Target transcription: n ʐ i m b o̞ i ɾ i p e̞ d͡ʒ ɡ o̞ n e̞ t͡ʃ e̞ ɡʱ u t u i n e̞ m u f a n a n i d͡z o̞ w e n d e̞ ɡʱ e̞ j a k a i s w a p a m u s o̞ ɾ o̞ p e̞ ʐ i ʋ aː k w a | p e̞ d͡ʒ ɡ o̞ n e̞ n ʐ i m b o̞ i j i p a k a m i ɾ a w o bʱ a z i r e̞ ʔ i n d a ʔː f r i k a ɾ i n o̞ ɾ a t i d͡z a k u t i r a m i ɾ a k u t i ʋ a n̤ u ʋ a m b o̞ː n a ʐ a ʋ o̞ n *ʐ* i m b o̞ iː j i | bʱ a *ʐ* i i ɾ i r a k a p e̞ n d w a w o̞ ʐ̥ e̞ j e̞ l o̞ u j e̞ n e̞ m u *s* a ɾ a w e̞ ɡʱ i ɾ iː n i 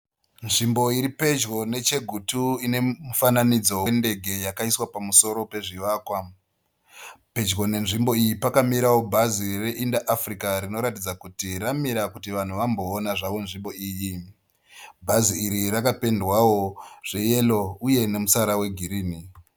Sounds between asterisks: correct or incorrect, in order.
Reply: correct, incorrect: z, correct

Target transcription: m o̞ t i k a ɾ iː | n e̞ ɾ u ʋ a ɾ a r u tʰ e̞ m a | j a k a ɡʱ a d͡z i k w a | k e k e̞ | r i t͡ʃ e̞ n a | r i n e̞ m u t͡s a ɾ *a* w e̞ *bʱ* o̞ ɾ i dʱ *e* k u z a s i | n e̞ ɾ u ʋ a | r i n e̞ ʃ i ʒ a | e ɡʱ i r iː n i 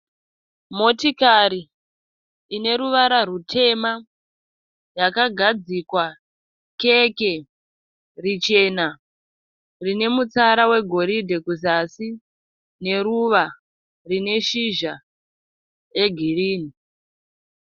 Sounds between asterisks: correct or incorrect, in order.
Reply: correct, incorrect: ɡʱ, correct

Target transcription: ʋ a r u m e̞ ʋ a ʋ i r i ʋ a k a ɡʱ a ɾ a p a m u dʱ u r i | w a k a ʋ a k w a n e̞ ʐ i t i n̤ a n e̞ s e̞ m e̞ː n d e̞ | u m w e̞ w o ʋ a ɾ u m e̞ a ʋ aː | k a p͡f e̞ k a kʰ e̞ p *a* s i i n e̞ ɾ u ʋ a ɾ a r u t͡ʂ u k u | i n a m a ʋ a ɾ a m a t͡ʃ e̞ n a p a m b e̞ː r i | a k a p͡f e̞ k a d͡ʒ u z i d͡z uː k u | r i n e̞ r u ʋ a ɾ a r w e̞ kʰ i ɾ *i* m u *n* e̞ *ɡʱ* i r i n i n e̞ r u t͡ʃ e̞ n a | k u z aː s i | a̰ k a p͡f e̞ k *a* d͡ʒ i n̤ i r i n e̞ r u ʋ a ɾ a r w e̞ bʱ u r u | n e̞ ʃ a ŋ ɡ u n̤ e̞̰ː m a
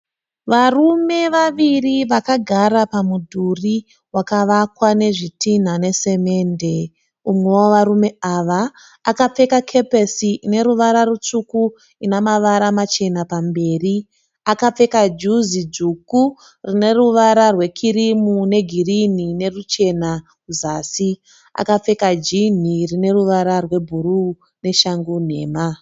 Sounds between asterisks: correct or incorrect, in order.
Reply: incorrect: e, correct, correct, correct, correct

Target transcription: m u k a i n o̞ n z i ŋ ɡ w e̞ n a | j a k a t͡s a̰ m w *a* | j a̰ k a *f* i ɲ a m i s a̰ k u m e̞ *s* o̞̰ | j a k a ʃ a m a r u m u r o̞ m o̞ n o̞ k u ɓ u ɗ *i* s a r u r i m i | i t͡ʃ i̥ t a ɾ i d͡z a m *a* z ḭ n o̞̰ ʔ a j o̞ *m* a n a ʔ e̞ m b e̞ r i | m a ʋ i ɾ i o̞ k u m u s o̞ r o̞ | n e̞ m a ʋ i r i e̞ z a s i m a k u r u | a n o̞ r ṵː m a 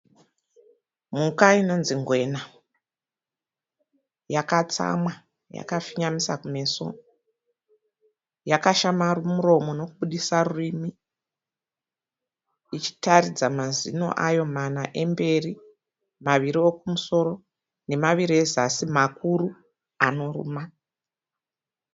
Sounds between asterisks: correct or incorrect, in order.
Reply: correct, correct, correct, correct, correct, correct

